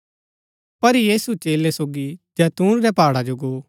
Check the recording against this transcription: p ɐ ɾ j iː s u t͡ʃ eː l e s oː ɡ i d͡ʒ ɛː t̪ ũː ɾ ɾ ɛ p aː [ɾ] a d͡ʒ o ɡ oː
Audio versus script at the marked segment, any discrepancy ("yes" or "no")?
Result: yes